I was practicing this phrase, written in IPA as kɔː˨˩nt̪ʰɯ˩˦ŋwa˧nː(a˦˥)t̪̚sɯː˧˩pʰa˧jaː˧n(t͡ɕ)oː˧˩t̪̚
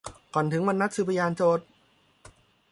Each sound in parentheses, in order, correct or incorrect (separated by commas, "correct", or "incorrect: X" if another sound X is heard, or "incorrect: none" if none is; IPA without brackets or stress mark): correct, correct